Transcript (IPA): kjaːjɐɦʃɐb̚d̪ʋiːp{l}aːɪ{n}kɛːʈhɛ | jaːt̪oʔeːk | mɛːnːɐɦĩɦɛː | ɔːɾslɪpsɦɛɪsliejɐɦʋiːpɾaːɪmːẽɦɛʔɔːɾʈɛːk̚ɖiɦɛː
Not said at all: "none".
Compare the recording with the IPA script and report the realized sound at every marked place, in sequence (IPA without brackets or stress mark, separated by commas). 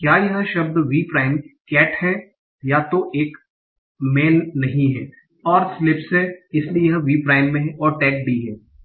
ɾ, m